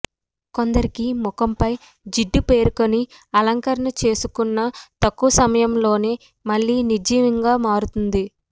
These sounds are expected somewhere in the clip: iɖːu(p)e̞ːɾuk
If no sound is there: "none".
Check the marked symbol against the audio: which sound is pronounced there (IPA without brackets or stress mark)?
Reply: p